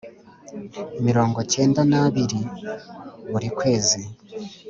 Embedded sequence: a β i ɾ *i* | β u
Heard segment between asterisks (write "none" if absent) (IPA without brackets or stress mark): i